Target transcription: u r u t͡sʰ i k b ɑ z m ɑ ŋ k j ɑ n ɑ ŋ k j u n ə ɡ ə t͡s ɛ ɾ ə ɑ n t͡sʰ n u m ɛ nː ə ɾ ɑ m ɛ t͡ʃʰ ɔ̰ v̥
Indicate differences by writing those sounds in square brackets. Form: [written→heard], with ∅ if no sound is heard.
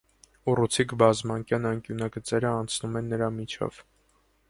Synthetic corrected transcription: u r u t͡sʰ i k b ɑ z m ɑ ŋ k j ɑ n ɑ ŋ k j u n [ə→ɑ] ɡ ə t͡s ɛ ɾ ə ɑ n t͡sʰ n u m ɛ nː ə ɾ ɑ m [ɛ→i] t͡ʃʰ ɔ̰ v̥